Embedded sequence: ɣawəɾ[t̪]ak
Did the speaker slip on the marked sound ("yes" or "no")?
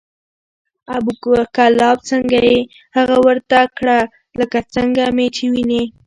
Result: no